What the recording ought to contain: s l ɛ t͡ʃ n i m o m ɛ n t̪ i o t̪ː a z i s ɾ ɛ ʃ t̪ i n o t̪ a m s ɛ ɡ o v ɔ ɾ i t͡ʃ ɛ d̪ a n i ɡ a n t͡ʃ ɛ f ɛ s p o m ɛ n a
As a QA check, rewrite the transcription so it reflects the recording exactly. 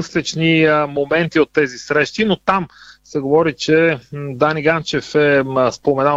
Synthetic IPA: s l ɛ t͡ʃ n i m o m ɛ n t̪ i o t̪ː ɛ z i s ɾ ɛ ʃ t̪ i n o t̪ a m s ɛ ɡ o v ɔ ɾ i t͡ʃ ɛ d̪ a n i ɡ a n t͡ʃ ɛ f ɛ s p o m ɛ n a